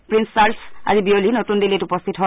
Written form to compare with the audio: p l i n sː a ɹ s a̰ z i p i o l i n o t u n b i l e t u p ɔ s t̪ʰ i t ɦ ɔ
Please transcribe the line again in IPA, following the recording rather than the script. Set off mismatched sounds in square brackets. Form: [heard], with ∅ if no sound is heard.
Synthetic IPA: p [ɹ] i n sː a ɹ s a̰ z i [b] i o l i n o t u n [d] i l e t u p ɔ s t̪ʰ i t ɦ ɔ